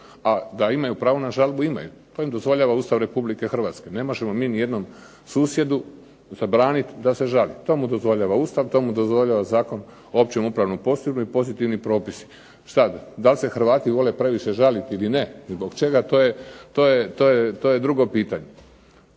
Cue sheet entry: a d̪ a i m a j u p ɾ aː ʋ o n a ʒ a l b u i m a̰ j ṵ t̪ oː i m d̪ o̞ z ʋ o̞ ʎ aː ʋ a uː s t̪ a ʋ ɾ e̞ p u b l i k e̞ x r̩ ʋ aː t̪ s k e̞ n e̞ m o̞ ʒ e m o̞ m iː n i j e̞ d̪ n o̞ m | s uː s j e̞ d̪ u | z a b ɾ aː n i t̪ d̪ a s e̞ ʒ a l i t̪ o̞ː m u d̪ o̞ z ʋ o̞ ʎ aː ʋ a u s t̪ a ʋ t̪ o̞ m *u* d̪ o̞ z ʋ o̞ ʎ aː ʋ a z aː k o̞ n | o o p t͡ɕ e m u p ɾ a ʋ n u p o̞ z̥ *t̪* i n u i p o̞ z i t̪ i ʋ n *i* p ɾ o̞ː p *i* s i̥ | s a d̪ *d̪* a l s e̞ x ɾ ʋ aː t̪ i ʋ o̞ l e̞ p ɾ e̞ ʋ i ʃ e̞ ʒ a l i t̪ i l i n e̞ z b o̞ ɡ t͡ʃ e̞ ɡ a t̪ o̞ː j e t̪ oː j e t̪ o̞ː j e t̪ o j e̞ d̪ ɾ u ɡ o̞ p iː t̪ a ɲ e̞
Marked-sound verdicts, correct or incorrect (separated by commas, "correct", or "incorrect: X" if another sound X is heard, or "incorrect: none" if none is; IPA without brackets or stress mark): correct, correct, correct, correct, correct